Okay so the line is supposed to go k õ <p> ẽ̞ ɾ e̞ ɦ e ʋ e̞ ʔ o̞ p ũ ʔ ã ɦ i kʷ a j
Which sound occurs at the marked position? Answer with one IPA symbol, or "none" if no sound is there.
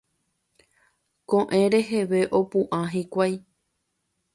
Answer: ʔ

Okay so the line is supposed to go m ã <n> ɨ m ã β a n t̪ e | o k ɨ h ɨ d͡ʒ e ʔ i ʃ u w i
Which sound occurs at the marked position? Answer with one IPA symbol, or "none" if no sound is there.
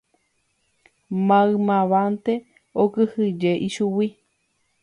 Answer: none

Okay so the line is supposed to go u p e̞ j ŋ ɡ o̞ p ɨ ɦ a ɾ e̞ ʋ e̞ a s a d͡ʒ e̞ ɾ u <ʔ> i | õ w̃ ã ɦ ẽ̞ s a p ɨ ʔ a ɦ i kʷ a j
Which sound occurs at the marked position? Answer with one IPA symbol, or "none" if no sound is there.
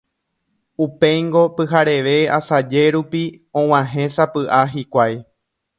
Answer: p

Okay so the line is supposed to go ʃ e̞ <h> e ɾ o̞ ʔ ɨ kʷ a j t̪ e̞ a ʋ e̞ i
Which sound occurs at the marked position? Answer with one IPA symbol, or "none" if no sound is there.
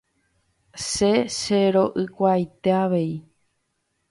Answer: ʃ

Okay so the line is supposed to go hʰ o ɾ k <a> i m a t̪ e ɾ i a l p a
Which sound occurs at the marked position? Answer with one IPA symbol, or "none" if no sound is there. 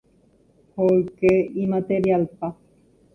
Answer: e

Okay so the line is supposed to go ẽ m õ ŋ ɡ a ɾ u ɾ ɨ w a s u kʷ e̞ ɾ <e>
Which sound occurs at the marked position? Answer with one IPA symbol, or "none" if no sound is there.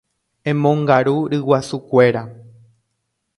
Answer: a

